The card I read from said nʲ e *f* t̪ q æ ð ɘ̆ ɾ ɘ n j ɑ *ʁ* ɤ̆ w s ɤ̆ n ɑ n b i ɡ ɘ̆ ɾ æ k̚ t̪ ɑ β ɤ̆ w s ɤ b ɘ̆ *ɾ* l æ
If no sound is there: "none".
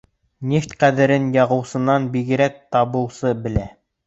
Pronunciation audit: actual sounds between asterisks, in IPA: f, ʁ, none

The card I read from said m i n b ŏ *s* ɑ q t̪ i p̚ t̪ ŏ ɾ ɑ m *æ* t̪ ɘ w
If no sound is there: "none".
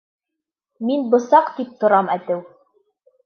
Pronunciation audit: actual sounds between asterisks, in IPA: s, æ

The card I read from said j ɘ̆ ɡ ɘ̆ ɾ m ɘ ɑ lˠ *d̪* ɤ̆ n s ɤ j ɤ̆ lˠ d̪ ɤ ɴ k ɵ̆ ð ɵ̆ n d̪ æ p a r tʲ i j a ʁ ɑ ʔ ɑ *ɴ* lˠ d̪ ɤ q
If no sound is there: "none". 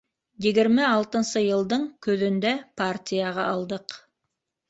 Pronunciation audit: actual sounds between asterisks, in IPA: t̪, none

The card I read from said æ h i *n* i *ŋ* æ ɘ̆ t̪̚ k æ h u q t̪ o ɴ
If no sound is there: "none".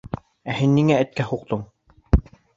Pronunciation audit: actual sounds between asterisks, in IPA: nː, ŋ

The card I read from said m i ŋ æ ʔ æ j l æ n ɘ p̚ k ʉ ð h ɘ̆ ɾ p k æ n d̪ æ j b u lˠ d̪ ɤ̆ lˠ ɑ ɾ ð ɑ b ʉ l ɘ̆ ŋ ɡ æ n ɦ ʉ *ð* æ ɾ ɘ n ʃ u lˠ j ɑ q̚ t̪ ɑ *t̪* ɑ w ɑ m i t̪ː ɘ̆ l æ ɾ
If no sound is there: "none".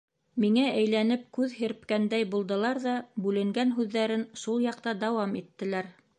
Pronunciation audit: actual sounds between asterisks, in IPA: ðː, d̪

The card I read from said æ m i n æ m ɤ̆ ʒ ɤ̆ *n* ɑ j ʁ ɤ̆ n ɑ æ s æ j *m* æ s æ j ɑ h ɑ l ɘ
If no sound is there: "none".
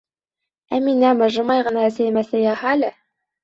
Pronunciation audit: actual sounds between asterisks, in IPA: m, m

